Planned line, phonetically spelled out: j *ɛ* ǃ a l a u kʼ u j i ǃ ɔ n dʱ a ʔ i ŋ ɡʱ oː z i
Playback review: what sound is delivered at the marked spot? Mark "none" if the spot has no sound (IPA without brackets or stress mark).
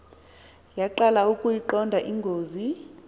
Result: a